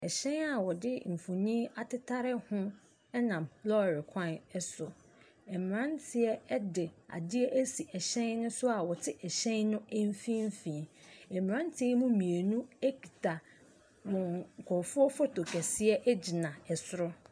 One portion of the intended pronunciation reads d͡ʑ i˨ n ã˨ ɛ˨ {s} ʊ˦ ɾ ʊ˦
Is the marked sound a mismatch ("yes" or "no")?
no